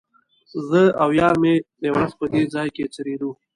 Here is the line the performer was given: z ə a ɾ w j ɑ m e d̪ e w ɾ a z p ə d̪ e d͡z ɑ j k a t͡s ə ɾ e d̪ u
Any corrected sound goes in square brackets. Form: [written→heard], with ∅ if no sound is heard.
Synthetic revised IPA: z ə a [ɾ→∅] w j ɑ m e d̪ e w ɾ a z p ə d̪ e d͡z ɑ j k [a→e] t͡s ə ɾ e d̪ u